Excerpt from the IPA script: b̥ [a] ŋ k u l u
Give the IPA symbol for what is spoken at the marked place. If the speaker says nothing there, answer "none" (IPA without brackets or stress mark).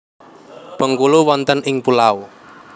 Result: ə